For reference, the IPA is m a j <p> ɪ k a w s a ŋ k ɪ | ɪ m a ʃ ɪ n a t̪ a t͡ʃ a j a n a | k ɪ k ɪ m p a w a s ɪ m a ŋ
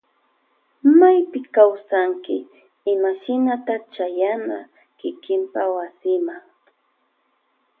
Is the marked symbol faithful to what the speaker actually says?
yes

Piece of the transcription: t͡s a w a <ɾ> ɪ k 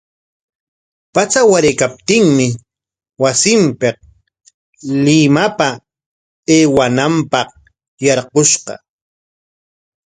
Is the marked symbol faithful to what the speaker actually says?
yes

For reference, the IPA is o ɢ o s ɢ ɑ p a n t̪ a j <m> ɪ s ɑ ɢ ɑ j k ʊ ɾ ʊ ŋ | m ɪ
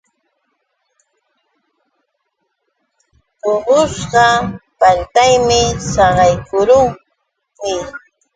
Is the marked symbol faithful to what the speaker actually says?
yes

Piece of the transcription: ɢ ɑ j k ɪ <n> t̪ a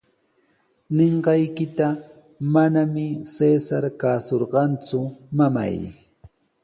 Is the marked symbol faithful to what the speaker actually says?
no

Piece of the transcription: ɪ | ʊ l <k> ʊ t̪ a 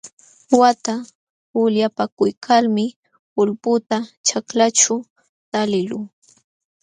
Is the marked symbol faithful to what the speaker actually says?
no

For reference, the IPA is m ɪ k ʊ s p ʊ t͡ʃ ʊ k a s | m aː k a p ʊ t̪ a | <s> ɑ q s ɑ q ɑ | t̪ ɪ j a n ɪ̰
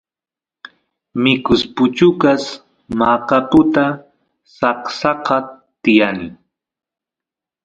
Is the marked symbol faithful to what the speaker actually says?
yes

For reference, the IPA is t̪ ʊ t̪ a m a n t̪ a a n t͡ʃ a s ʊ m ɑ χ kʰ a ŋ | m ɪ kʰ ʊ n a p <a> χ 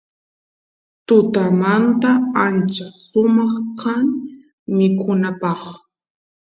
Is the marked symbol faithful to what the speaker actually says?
no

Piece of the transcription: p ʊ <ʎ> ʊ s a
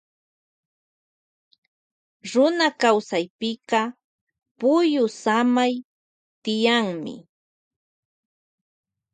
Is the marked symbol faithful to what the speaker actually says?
no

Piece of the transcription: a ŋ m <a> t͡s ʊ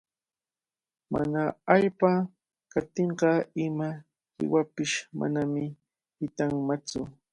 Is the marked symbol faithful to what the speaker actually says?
yes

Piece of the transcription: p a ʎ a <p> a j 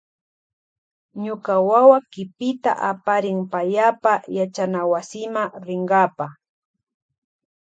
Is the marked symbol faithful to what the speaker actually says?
yes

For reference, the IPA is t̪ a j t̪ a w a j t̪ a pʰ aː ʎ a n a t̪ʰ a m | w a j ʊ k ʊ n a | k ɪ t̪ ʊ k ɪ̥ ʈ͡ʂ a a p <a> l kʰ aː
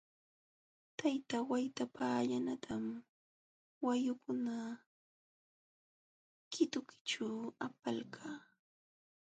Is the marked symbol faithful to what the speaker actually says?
yes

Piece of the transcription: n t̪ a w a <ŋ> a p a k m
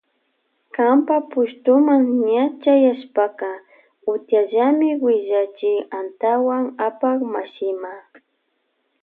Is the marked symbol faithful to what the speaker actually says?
yes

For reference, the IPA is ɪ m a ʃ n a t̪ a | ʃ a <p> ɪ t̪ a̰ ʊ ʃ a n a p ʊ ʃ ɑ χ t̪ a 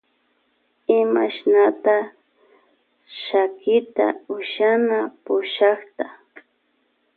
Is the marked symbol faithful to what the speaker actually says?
no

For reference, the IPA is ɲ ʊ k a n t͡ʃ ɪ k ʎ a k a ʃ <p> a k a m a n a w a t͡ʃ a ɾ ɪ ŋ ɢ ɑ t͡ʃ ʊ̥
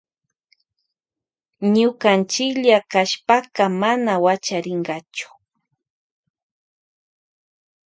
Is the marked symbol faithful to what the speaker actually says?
yes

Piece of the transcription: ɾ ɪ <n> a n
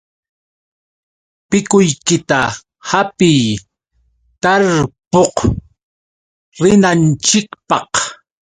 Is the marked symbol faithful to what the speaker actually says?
yes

